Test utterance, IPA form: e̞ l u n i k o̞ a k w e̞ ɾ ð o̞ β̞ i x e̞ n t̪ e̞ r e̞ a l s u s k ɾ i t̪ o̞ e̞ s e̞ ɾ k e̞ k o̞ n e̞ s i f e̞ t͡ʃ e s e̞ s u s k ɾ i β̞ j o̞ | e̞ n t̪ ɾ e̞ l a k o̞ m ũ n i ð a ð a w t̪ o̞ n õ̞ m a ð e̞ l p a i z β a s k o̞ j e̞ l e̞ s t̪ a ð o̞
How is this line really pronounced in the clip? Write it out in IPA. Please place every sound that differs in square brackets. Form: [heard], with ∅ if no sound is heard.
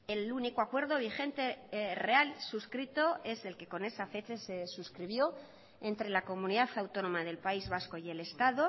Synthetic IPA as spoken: e̞ l u n i k o̞ a k w e̞ ɾ ð o̞ β̞ i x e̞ n t̪ e̞ r e̞ a l s u s k ɾ i t̪ o̞ e̞ s e̞ [l] k e̞ k o̞ n e̞ s [a] f e̞ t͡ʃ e s e̞ s u s k ɾ i β̞ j o̞ | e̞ n t̪ ɾ e̞ l a k o̞ m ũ n i ð a [θ] a w t̪ o̞ n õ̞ m a ð e̞ l p a i z β a s k o̞ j e̞ l e̞ s t̪ a ð o̞